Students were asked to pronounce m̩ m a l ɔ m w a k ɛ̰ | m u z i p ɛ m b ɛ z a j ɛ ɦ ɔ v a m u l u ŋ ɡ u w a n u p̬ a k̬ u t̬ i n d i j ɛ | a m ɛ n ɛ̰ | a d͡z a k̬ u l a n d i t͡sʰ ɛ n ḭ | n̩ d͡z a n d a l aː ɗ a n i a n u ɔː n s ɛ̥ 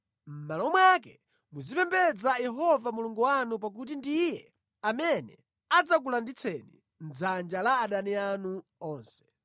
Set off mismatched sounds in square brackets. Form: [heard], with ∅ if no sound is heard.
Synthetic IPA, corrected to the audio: m̩ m a l ɔ m w a k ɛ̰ | m u z i p ɛ m b ɛ [d͡z] a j ɛ ɦ ɔ v a m u l u ŋ ɡ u w a n u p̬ a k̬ u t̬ i n d i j ɛ | a m ɛ n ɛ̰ | a d͡z a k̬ u l a n d i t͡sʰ ɛ n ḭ | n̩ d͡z a n [d͡ʒ] a l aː ɗ a n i a n u ɔː n s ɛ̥